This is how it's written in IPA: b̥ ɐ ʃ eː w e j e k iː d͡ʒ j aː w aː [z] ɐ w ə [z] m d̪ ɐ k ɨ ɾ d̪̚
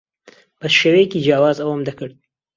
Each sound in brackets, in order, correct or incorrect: correct, incorrect: none

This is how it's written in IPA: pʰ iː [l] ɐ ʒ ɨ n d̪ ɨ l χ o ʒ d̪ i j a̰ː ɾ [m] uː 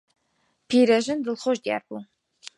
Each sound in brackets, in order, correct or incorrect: incorrect: ɾ, incorrect: b

